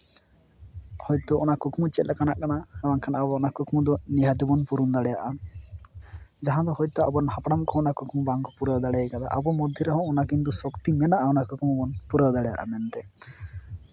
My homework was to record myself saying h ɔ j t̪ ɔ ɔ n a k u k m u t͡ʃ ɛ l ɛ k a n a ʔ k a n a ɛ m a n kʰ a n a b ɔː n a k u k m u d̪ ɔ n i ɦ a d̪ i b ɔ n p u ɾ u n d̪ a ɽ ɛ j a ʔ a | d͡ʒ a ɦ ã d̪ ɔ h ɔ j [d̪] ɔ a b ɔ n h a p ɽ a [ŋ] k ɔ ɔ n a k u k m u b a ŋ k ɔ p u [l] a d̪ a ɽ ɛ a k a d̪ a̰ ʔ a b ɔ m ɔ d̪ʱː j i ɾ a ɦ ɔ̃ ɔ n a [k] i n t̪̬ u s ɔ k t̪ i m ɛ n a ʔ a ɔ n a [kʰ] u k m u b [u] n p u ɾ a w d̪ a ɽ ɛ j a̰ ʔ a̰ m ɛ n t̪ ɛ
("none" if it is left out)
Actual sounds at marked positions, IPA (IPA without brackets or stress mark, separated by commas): t̪, m, ɾ, k, k, ɔ